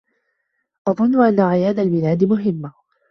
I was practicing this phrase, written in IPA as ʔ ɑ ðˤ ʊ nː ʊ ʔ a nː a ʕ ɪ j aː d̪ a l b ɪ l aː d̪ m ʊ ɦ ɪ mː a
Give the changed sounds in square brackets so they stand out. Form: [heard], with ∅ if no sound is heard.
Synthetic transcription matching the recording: ʔ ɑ ðˤ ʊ nː ʊ ʔ a nː a ʕ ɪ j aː d̪ a l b ɪ l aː d̪ m ʊ ɦ ɪ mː a

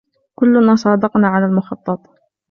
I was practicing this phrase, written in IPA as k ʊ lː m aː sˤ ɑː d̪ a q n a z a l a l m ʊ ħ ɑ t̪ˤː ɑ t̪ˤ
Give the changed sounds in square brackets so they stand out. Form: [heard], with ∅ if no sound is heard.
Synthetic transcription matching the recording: k ʊ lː [n] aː sˤ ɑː d̪ [ɑ] q n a [ʕ] a l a l m ʊ [x] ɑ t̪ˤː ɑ t̪ˤ

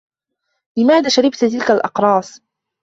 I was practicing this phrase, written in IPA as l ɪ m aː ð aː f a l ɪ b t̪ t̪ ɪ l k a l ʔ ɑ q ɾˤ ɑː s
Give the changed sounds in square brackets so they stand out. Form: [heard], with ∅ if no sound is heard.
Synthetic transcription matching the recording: l ɪ m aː ð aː [ʃ] a [ɾ] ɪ b t̪ t̪ ɪ l k a l ʔ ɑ q ɾˤ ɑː s

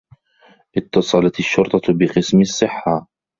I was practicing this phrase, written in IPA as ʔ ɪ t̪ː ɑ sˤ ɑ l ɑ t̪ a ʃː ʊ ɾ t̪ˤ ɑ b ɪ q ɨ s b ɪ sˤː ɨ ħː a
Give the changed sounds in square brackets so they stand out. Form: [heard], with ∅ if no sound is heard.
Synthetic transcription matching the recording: ʔ ɪ t̪ː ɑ sˤ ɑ l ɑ t̪ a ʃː ʊ ɾ t̪ˤ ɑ b ɪ q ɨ s [m] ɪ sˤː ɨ ħː a

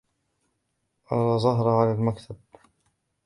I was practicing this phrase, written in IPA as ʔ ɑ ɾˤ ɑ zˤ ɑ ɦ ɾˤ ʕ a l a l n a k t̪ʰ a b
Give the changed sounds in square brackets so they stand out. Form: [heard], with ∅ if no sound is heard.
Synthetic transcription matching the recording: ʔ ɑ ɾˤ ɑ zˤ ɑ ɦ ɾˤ ʕ a l a l [m] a k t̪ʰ a b

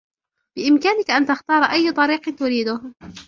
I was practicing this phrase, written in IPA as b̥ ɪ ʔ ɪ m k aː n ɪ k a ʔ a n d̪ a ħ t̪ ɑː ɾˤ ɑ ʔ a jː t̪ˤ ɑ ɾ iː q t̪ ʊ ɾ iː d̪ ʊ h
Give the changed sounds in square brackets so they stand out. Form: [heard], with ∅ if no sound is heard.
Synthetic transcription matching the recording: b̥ ɪ ʔ ɪ m k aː n ɪ k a ʔ a n [t̪] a [x] t̪ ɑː ɾˤ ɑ ʔ a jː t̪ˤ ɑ ɾ iː q t̪ ʊ ɾ iː d̪ ʊ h

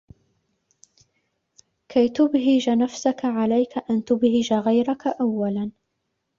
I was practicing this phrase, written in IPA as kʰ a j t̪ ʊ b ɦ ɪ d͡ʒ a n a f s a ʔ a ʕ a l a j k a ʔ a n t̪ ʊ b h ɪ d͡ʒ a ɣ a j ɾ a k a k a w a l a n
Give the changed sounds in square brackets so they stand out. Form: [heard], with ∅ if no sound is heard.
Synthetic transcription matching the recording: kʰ a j t̪ ʊ b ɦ ɪ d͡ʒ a n a f s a [k] a ʕ a l a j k a ʔ a n t̪ ʊ b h ɪ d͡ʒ a ɣ a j ɾ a k a [ʔ] a [wː] a l a n

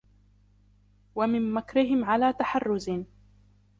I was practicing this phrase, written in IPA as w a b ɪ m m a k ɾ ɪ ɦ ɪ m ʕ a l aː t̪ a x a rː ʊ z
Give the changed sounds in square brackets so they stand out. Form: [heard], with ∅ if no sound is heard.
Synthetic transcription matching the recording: w a [m] ɪ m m a k ɾ ɪ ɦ ɪ m ʕ a l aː t̪ a [ħ] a rː ʊ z

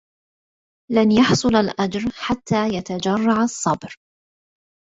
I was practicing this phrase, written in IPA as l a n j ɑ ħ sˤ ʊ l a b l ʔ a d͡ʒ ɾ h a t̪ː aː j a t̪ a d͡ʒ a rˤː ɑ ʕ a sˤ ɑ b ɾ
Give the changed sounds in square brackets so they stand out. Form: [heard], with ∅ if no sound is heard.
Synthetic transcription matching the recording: l a n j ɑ ħ sˤ ʊ l a [∅] l ʔ a d͡ʒ ɾ [ħ] a t̪ː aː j a t̪ a d͡ʒ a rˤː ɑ ʕ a [sˤː] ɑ b ɾ

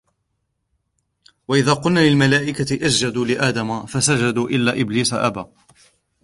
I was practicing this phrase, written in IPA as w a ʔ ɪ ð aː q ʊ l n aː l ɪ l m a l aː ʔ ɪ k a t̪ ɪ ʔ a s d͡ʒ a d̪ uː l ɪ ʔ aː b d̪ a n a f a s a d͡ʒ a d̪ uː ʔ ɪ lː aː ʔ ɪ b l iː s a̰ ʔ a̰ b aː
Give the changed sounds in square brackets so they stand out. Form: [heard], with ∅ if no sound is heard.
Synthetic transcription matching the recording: w a ʔ ɪ ð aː q ʊ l n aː l ɪ l m a l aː ʔ ɪ k a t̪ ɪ ʔ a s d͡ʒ a d̪ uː l ɪ ʔ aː [∅] d̪ a [m] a f a s a d͡ʒ a d̪ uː ʔ ɪ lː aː ʔ ɪ b l iː s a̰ ʔ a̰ b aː

